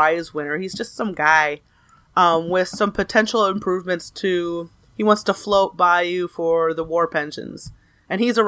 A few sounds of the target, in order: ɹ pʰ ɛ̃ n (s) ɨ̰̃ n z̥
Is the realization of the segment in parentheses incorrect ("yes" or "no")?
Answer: yes